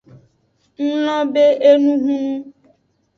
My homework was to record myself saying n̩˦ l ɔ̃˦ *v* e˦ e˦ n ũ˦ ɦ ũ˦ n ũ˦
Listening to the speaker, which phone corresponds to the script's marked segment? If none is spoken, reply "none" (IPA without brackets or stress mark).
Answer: b